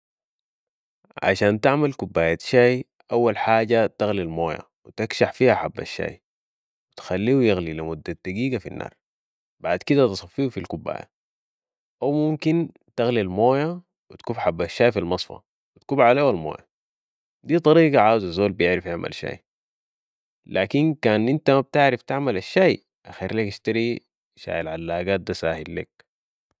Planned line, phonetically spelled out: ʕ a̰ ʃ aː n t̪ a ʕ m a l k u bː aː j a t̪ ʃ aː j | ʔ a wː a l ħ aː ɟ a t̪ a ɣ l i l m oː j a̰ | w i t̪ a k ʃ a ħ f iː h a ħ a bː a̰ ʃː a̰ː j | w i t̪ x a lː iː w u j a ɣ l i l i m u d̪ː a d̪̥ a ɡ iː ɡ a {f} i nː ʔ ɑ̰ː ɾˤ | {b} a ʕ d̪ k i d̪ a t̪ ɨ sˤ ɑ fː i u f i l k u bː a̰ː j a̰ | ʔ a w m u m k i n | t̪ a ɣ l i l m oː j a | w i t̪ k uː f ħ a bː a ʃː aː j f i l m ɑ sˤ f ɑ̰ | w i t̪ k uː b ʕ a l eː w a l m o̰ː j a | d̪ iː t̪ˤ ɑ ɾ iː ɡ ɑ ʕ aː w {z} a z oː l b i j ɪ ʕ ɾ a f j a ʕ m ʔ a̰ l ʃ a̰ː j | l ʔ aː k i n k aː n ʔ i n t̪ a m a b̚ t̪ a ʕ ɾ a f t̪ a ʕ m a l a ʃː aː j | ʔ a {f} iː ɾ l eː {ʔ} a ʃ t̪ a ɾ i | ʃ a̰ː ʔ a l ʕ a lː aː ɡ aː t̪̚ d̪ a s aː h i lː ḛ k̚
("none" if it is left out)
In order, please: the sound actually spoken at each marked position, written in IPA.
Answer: f, b, z, x, k

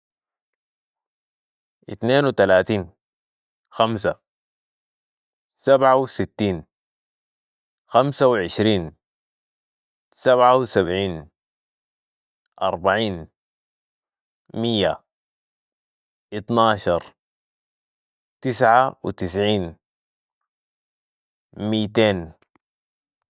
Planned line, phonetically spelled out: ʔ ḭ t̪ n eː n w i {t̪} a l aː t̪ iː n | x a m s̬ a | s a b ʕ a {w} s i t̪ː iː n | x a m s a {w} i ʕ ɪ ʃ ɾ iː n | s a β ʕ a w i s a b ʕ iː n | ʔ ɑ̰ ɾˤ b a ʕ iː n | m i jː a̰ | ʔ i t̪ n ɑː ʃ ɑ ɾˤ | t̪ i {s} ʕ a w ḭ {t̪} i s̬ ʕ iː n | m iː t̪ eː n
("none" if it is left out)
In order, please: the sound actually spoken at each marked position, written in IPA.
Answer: t̪, w, w, s, t̪

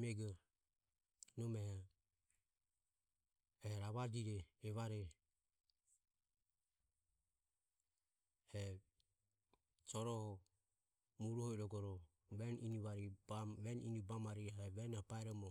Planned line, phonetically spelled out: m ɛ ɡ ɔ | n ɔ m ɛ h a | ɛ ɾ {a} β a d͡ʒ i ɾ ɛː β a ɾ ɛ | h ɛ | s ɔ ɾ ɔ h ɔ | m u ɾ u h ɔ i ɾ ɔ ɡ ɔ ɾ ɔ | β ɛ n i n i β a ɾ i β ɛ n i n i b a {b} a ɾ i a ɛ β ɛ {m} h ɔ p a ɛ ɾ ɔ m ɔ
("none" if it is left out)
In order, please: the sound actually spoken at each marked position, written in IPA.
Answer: a, m, n

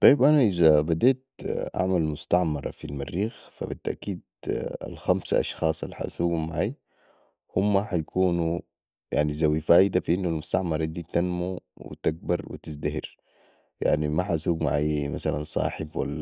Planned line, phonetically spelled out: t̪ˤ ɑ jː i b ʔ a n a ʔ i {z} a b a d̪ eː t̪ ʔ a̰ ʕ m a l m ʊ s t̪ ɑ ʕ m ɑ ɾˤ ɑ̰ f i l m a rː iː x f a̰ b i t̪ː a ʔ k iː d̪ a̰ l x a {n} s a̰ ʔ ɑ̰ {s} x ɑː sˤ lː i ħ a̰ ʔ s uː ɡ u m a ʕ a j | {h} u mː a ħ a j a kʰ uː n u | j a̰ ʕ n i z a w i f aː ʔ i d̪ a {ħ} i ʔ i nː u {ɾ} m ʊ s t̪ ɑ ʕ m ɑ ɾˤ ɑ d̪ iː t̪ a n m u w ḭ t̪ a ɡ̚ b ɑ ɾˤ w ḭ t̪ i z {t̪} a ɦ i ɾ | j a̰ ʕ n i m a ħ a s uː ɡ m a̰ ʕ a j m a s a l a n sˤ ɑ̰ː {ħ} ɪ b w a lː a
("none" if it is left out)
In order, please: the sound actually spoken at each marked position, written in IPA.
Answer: z, m, ʃ, h, f, l, d̪, ħ

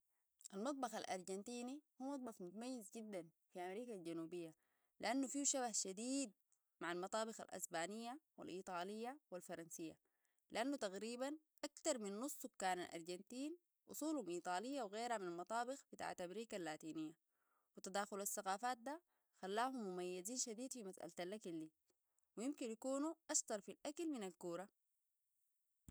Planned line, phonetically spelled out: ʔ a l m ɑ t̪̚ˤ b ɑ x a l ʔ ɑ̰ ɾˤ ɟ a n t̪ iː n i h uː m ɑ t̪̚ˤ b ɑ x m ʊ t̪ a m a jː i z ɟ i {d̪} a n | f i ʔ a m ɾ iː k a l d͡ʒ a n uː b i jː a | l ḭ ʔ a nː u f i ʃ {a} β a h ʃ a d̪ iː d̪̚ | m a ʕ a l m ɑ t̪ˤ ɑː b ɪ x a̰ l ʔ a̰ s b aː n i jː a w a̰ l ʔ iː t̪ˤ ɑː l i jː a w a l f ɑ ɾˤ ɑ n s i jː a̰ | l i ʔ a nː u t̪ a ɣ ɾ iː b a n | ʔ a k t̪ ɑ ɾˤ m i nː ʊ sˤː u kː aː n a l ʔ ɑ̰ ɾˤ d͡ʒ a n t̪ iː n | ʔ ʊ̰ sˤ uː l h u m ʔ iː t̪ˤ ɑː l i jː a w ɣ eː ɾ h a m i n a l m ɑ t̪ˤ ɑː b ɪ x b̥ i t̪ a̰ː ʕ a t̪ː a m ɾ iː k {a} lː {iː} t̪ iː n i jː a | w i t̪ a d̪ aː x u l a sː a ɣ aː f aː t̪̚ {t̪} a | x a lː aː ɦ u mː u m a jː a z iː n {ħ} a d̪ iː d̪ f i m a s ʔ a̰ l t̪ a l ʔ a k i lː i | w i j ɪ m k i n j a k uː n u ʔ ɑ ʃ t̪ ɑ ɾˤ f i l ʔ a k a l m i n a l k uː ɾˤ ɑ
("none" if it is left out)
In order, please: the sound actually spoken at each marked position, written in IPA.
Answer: d̪ː, a, a, aː, d̪, ʃ

